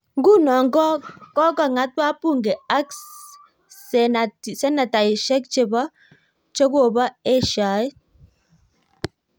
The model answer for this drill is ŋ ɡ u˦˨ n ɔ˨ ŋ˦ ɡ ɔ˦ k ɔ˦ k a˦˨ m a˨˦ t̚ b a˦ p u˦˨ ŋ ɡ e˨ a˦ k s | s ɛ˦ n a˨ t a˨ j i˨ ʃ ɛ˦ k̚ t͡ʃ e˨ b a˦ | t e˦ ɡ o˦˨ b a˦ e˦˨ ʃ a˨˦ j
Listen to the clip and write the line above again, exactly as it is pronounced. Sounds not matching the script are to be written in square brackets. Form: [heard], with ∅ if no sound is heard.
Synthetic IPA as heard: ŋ ɡ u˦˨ n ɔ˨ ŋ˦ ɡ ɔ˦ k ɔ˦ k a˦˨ [ŋ] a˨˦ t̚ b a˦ p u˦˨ ŋ ɡ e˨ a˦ k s | s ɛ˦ n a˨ t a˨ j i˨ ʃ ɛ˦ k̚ t͡ʃ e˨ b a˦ | [t͡ʃ] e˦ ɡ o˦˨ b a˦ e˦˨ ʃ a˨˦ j